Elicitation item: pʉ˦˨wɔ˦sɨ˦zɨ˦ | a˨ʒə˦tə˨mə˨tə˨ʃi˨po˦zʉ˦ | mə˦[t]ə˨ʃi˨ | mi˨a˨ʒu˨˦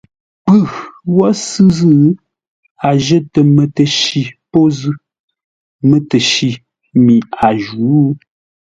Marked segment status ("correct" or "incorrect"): correct